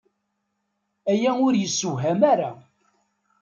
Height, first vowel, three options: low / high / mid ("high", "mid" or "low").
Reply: low